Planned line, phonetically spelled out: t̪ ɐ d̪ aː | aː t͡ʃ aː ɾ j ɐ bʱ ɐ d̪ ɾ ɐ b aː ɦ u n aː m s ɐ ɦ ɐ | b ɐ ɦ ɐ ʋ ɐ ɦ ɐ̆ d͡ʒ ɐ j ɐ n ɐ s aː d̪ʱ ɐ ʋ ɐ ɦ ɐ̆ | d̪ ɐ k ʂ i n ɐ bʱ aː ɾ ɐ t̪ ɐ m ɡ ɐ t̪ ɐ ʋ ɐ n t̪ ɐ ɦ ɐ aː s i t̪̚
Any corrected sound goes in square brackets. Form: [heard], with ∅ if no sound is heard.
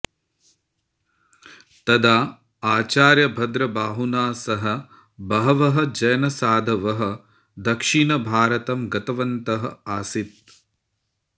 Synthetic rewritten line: t̪ ɐ d̪ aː | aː t͡ʃ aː ɾ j ɐ bʱ ɐ d̪ ɾ ɐ b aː ɦ u n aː [∅] s ɐ ɦ ɐ | b ɐ ɦ ɐ ʋ ɐ ɦ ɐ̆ d͡ʒ ɐ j ɐ n ɐ s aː d̪ʱ ɐ ʋ ɐ ɦ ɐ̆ | d̪ ɐ k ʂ i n ɐ bʱ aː ɾ ɐ t̪ ɐ m ɡ ɐ t̪ ɐ ʋ ɐ n t̪ ɐ ɦ ɐ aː s i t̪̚